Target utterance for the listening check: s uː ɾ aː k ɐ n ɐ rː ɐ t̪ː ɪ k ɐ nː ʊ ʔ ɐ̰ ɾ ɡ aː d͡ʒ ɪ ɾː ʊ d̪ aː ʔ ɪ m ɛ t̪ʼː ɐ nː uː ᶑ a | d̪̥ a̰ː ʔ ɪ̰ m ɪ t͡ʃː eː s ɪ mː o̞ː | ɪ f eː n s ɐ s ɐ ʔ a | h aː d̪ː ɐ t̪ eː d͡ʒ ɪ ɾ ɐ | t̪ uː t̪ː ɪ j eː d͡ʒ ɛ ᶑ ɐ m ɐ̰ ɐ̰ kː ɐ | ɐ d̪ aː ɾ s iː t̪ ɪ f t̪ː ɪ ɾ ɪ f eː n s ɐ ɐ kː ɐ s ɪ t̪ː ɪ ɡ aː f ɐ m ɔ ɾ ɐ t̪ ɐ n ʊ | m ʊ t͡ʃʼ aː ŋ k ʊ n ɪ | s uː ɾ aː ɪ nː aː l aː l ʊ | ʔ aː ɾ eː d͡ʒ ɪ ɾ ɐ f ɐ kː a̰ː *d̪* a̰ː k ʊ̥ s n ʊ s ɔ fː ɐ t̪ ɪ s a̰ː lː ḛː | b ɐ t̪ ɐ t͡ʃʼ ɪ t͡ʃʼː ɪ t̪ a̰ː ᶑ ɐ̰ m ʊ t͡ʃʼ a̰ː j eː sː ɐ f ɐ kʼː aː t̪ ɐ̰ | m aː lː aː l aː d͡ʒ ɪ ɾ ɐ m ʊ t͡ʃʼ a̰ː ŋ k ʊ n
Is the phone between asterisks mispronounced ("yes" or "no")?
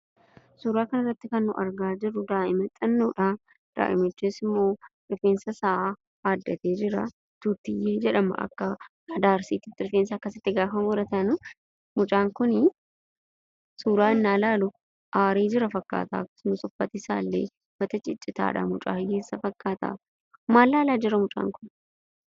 yes